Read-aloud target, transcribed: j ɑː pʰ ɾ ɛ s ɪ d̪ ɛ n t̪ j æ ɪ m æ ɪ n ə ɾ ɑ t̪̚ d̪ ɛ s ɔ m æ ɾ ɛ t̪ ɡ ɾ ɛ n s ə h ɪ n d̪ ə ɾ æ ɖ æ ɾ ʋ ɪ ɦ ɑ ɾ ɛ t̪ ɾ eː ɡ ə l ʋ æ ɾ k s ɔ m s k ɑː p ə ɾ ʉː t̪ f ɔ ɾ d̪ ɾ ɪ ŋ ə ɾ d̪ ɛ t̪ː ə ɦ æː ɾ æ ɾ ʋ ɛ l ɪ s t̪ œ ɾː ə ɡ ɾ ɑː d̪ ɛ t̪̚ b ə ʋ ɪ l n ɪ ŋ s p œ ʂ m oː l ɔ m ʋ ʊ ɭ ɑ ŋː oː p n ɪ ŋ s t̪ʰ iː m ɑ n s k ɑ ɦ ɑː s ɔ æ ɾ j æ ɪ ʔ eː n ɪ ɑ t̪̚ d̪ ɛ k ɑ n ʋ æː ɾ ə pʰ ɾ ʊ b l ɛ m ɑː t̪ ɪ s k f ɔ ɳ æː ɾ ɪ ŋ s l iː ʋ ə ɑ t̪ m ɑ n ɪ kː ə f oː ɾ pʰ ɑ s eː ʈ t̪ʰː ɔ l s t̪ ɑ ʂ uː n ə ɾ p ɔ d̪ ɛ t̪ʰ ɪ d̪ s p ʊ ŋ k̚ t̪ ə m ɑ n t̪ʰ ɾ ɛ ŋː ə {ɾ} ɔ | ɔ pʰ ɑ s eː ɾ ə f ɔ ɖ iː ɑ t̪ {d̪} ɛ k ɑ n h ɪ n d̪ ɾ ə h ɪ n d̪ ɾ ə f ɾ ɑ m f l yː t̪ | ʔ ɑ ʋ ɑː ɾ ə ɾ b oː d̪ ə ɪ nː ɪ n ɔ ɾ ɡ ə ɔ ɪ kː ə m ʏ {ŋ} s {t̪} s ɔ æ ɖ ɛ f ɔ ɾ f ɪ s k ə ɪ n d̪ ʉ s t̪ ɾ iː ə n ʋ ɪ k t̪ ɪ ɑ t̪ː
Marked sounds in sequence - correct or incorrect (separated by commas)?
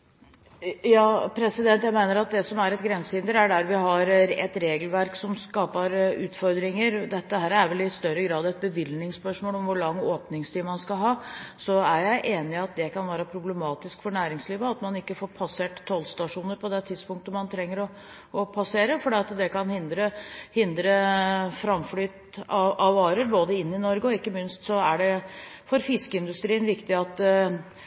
correct, correct, incorrect, correct